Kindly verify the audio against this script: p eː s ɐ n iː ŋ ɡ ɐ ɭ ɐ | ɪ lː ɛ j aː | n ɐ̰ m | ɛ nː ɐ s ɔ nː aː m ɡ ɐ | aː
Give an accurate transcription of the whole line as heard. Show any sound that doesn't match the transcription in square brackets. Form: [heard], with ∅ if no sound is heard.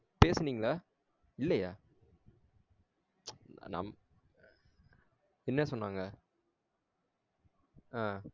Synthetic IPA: p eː s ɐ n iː ŋ ɡ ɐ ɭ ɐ | ɪ lː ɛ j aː | n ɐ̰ m | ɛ nː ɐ s ɔ nː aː [ŋ] ɡ ɐ | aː